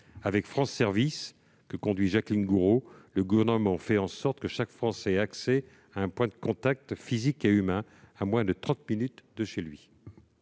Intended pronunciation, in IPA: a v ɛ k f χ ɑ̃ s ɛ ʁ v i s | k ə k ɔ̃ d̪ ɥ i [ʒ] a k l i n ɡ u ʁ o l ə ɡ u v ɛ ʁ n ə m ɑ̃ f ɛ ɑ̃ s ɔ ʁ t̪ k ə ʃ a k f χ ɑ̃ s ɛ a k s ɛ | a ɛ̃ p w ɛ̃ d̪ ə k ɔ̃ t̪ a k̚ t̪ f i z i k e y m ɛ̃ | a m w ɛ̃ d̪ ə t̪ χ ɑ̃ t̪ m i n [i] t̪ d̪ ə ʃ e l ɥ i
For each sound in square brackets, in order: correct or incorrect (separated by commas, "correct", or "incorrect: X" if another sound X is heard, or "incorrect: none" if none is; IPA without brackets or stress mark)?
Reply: correct, incorrect: y